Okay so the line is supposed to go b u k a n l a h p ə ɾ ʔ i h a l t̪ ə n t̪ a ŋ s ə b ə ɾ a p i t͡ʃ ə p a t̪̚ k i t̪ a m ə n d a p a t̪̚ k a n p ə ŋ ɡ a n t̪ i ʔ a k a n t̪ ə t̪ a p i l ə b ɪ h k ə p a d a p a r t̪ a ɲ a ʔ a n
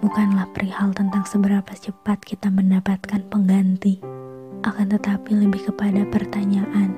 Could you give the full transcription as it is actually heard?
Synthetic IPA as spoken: b u k a n l a h p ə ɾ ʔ i h a l t̪ ə n t̪ a ŋ s ə b ə ɾ a p a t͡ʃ ə p a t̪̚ k i t̪ a m ə n d a p a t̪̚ k a n p ə ŋ ɡ a n t̪ i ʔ a k a n t̪ ə t̪ a p i l ə b ɪ h k ə p a d a p ə r t̪ a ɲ a ʔ a n